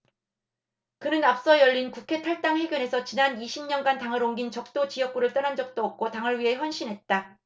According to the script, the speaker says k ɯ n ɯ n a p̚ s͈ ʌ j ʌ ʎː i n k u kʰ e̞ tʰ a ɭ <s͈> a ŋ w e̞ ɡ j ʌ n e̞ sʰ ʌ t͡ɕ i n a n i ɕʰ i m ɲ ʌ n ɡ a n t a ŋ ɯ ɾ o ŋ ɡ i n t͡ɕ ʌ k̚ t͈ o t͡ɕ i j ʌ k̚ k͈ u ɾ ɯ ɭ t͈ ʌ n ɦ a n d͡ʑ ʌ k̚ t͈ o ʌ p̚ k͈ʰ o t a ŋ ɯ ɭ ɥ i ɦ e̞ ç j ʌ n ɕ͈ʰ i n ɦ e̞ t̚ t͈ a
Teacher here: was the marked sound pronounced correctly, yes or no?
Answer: no